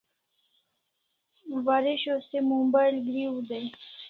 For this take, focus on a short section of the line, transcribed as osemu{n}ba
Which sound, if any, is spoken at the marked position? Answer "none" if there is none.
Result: m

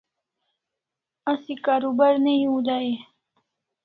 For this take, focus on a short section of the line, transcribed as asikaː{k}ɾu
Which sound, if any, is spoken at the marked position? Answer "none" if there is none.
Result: none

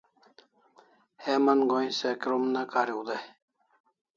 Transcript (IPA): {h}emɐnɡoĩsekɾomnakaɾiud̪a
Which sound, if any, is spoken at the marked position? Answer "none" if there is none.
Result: h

